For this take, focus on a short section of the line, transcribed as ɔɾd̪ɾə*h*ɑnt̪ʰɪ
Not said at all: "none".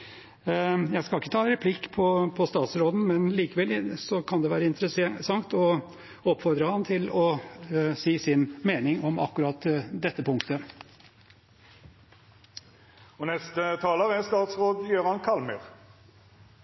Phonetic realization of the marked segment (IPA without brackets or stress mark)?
h